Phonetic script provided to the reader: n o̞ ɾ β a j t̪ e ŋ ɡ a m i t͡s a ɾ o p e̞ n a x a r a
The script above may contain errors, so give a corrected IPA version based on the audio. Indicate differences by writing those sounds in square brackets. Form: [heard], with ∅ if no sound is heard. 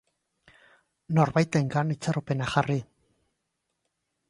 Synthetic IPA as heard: n o̞ ɾ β a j t̪ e ŋ ɡ a [n] i t͡s a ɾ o p e̞ n a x a r [i]